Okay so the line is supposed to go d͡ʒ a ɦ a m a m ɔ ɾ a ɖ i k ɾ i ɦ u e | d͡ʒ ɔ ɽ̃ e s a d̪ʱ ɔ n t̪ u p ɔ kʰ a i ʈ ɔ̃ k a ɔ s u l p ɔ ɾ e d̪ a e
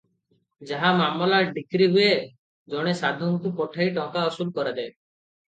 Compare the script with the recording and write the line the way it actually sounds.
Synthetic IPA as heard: d͡ʒ a ɦ a m a m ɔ l a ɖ i k ɾ i ɦ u e | d͡ʒ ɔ ɽ̃ e s a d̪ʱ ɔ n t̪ u p ɔ ʈʰ a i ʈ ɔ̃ k a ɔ s u l k ɔ ɾ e d̪ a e